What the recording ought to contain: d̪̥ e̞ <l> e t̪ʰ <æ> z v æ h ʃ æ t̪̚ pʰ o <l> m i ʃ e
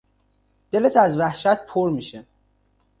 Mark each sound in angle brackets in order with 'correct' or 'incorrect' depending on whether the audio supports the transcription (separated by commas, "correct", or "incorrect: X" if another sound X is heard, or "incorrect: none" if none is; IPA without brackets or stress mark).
correct, correct, incorrect: ɾ